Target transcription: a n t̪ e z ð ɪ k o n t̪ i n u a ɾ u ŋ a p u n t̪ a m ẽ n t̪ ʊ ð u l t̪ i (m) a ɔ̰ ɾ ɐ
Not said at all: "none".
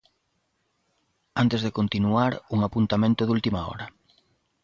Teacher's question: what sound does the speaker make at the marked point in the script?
m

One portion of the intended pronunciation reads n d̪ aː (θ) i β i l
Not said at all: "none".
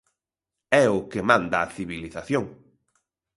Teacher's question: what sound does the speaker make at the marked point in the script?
θ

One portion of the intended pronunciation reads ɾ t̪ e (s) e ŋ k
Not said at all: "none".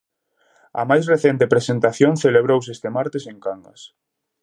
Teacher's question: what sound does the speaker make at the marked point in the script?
s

